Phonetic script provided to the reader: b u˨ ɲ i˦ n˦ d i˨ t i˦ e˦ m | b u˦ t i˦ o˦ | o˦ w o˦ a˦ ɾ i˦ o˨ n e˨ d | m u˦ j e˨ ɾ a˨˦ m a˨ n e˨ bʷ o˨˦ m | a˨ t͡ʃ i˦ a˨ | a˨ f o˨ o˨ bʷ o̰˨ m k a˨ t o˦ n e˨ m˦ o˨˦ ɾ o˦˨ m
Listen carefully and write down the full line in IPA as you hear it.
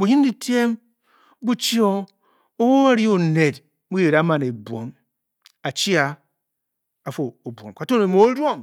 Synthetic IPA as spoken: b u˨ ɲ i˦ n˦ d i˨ t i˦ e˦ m | b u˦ t͡ʃ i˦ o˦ | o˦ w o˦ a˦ ɾ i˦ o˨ n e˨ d | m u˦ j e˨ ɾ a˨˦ m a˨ n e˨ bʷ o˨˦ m | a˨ t͡ʃ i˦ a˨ | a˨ f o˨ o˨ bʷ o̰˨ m k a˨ t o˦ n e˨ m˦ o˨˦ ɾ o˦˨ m